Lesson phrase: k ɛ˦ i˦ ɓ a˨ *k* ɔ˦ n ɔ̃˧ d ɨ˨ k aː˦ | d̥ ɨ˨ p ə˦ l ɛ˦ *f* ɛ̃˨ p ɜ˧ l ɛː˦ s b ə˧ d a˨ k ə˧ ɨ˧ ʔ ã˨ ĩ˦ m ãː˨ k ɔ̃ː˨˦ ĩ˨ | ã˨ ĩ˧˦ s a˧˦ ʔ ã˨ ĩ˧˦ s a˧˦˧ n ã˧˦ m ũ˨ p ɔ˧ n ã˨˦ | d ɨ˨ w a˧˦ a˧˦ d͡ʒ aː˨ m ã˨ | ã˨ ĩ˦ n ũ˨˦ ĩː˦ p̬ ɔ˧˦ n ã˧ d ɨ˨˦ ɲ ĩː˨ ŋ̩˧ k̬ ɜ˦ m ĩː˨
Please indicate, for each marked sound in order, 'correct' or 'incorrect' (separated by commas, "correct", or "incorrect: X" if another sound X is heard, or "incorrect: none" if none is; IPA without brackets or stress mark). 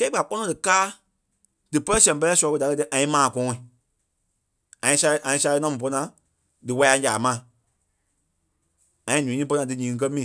incorrect: k͡p, incorrect: s